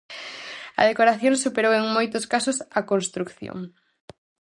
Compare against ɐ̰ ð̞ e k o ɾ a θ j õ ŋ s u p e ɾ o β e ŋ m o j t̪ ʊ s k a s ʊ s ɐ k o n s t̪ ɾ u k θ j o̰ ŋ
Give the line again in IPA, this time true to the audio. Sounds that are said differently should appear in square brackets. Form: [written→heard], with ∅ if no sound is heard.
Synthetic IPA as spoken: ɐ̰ ð̞ e k o ɾ a θ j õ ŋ s u p e ɾ o [β→w] e ŋ m o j t̪ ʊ s k a s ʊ s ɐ k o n s t̪ ɾ u k θ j o̰ ŋ